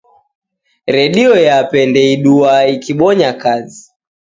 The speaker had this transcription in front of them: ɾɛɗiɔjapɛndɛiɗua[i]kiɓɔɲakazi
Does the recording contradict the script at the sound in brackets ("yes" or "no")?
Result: no